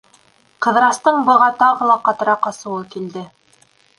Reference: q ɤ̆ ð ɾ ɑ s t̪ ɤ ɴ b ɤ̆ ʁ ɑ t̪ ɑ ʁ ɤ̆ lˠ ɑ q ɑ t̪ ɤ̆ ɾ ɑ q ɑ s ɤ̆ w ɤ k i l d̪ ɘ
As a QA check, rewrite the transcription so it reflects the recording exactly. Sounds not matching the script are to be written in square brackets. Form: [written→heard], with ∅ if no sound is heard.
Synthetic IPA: q ɤ̆ ð ɾ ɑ s t̪ ɤ ɴ b ɤ̆ ʁ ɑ t̪ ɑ ʁ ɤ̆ lˠ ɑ q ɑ t̪ ɤ̆ ɾ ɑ q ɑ s ɤ̆ w ɤ k i l d̪ ɘ